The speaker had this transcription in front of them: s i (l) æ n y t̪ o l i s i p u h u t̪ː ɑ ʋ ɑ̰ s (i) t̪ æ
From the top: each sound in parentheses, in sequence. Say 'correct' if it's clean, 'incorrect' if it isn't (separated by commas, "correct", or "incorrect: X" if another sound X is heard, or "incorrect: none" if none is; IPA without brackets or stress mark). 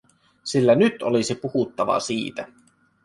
incorrect: lː, incorrect: iː